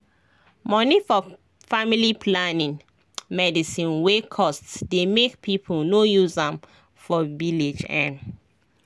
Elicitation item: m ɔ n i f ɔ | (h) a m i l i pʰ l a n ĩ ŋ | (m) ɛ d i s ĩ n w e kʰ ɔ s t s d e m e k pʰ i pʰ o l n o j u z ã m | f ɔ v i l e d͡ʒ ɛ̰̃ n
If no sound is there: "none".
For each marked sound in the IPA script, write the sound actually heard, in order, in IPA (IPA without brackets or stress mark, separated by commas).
f, m